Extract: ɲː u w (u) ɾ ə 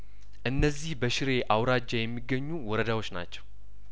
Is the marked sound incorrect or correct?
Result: incorrect